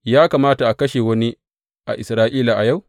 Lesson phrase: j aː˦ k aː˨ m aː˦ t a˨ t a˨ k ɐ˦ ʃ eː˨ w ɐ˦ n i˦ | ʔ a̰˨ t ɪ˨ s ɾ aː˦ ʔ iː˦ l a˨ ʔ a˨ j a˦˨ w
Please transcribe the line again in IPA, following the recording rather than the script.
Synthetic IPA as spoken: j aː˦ k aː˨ m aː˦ t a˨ ʔ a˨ k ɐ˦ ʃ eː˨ w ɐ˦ n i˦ | ʔ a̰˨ ʔ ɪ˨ s ɾ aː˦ ʔ iː˦ l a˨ ʔ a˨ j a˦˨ w

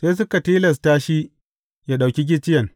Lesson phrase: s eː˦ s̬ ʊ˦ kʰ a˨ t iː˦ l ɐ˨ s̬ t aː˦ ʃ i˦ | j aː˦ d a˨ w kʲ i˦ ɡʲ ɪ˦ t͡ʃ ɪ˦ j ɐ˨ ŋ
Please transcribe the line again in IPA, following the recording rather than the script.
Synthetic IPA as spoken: s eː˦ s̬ ʊ˦ k a˨ t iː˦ l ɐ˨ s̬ t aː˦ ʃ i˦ | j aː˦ ɗ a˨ w kʲ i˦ ɡʲ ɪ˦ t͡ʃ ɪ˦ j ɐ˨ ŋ

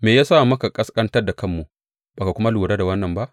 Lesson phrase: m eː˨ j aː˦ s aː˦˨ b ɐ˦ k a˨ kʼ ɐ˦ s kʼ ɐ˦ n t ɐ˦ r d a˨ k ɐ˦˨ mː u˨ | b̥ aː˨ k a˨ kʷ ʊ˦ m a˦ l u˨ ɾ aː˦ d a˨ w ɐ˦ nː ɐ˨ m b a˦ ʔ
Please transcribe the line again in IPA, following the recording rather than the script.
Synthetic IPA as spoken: m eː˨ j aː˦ s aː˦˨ m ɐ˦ k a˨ kʼ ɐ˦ s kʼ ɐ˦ n t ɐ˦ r d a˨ k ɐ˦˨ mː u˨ | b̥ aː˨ k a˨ kʷ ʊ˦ m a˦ l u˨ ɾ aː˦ d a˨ w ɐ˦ nː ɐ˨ m b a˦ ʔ

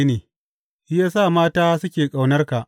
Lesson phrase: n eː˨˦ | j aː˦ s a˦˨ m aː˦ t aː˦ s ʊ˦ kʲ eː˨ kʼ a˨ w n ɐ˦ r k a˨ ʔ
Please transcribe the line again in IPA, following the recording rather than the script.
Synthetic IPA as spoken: n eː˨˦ | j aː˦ s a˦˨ m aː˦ t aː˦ s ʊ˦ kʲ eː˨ kʼ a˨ w n ɐ˦ r k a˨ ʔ

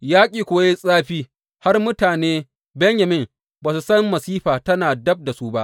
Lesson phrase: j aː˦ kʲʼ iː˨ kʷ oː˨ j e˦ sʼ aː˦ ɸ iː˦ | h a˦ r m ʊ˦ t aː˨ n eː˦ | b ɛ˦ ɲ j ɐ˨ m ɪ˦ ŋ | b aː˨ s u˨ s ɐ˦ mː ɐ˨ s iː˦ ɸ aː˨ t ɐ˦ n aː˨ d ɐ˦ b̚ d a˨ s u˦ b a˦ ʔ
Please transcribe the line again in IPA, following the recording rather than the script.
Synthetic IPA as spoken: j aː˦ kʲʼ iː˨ kʷ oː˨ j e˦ sʼ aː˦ ɸ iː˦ | h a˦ r m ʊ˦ t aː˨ n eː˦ | b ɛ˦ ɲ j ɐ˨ m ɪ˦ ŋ | b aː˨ s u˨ s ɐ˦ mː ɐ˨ s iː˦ ɸ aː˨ t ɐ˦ n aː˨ d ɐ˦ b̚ d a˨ s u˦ b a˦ ʔ

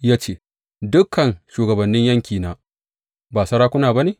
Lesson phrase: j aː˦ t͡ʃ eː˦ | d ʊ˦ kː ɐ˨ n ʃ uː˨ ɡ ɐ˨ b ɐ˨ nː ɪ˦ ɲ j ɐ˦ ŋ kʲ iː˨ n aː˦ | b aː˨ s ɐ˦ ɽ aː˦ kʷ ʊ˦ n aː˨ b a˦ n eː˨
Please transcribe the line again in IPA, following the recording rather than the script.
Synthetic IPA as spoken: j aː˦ t͡ʃ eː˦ | d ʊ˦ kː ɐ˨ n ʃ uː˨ ɡ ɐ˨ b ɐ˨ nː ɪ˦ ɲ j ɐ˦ ŋ kʲ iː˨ n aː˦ | b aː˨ s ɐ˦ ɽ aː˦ kʷ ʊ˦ n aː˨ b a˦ n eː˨

